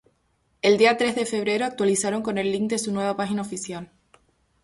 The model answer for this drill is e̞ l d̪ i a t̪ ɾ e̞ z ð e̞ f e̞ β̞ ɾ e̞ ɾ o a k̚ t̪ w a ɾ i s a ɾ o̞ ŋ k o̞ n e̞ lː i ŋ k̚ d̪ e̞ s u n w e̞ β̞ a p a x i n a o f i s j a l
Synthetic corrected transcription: e̞ l d̪ i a t̪ ɾ e̞ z ð e̞ f e̞ β̞ ɾ e̞ ɾ o a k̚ t̪ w a l i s a ɾ o̞ ŋ k o̞ n e̞ lː i ŋ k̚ d̪ e̞ s u n w e̞ β̞ a p a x i n a o f i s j a l